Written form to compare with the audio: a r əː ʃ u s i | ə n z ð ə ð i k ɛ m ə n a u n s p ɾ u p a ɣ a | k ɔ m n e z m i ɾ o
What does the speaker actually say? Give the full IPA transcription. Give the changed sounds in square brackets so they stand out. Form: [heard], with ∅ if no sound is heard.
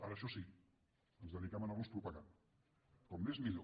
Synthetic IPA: a [ɾ] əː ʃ [ɔ] s i | ə n z ð ə ð i k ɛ m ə n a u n s p ɾ u p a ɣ a | k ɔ m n e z m i [ʎ] o